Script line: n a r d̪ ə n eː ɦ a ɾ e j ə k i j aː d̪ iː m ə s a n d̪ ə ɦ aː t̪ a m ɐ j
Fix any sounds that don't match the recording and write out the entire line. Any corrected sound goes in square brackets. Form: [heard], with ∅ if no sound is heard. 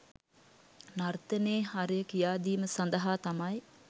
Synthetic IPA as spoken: n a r [t̪] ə n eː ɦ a ɾ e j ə k i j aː d̪ iː m ə s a n d̪ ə ɦ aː t̪ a m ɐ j